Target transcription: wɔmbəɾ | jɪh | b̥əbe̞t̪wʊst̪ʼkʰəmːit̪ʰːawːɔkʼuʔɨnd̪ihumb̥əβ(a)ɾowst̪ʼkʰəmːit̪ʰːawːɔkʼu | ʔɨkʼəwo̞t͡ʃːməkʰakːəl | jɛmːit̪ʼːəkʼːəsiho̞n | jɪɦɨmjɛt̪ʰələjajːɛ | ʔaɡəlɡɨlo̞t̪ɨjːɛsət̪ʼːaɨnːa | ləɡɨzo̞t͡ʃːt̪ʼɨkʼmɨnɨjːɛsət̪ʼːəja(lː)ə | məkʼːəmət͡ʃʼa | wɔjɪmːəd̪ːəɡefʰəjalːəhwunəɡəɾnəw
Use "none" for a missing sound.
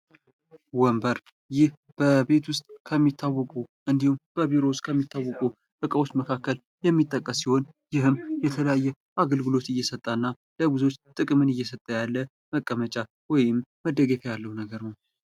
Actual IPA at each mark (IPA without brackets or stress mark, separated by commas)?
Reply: i, lː